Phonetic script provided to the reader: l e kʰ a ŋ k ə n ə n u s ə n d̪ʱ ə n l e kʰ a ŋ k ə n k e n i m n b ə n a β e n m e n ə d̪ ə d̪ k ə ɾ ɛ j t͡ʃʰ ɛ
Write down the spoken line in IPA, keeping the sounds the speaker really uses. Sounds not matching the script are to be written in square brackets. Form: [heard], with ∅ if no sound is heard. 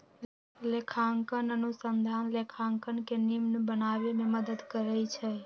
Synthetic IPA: l e kʰ a ŋ k ə n ə n u s ə n d̪ʱ [a] n l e kʰ a ŋ k ə n k e n i m n b ə n a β e [∅] m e [m] ə d̪ ə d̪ k ə ɾ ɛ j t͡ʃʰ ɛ